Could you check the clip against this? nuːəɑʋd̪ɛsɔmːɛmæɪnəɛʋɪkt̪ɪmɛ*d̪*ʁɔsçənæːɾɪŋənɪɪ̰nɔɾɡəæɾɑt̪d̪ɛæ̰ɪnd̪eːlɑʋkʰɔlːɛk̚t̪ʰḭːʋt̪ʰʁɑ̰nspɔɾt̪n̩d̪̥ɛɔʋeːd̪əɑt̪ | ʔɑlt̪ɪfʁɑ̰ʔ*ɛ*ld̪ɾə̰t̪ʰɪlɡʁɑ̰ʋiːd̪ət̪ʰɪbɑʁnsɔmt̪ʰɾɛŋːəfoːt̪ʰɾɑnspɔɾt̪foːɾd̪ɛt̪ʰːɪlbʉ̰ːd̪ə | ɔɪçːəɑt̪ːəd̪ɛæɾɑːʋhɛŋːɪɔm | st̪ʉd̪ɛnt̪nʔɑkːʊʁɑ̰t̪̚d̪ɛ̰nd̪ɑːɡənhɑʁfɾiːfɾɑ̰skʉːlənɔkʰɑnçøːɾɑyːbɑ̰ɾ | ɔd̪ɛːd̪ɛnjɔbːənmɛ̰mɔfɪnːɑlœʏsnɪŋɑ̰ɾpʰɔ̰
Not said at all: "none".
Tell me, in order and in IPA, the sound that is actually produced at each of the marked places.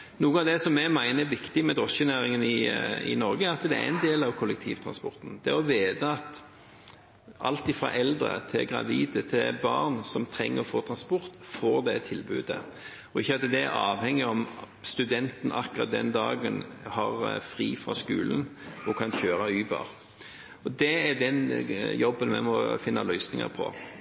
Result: d̪, ɛ

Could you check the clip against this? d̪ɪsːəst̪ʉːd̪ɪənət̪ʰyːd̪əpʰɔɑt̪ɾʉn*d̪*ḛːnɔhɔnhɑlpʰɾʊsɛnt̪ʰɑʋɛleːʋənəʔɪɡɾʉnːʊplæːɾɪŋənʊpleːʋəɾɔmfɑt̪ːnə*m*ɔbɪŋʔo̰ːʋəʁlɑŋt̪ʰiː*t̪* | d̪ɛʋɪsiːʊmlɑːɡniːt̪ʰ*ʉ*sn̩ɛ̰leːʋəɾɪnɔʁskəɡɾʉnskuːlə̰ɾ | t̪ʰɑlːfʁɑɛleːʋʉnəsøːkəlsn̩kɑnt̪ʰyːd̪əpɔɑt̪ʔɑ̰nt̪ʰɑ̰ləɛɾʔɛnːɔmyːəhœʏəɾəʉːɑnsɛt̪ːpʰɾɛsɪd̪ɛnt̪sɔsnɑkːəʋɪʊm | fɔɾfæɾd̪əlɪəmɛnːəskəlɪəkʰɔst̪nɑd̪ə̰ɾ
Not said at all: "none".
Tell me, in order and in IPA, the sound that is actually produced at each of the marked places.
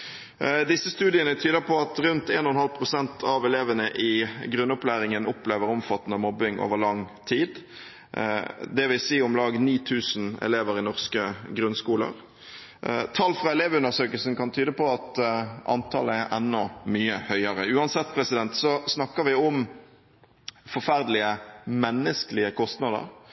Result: t̪, m, d̪, ʉː

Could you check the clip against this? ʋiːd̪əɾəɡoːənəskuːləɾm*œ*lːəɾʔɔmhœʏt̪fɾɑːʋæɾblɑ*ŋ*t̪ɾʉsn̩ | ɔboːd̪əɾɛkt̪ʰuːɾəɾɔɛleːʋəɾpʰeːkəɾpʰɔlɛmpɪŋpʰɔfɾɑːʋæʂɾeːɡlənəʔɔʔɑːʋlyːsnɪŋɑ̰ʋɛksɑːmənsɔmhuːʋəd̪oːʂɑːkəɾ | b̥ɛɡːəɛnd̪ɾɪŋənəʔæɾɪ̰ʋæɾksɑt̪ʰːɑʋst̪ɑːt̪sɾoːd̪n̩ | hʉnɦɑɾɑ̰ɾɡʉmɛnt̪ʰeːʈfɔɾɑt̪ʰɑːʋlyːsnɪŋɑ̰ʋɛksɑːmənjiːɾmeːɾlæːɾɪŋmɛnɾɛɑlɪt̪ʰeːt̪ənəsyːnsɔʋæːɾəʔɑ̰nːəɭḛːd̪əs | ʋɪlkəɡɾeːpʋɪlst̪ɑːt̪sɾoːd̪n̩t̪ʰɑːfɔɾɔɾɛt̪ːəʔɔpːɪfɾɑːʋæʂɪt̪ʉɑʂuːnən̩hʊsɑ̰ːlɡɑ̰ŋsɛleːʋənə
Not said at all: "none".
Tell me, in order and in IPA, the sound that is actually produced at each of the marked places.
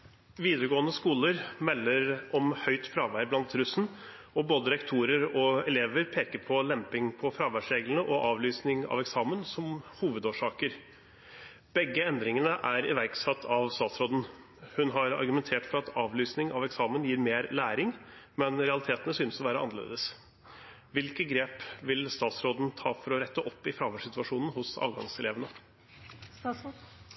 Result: ɛ, n

